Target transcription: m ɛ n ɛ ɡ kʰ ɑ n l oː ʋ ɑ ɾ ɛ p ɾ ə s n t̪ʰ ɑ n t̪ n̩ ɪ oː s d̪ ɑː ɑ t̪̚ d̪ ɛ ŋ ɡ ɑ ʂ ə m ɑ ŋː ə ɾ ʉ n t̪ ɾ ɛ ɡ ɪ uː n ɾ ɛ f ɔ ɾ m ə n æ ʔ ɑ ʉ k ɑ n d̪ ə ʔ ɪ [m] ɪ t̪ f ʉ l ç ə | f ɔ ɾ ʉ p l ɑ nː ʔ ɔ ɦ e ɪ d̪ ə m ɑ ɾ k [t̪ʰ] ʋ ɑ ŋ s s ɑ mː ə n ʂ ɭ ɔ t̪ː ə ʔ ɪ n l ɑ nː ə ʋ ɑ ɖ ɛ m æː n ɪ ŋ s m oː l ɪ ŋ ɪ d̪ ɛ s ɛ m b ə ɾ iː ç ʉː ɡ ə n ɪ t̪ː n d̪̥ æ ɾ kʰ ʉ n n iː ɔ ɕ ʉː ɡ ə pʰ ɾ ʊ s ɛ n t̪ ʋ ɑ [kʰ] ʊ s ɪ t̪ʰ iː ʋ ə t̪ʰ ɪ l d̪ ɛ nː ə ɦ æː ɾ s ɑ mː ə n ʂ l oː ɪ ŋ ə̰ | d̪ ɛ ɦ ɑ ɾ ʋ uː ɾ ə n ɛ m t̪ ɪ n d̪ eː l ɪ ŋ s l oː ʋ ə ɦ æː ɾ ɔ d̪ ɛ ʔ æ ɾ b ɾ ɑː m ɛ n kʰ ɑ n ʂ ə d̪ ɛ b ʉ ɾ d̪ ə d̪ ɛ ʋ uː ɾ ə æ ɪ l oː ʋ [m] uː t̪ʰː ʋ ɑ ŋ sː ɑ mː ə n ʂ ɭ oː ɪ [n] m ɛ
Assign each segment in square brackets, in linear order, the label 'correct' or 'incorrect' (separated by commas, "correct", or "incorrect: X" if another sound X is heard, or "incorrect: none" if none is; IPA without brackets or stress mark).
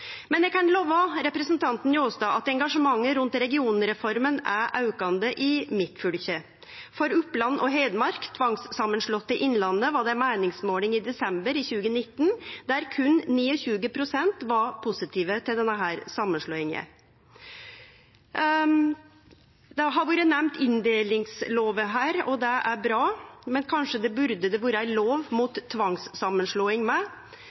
correct, correct, incorrect: pʰ, correct, incorrect: ŋ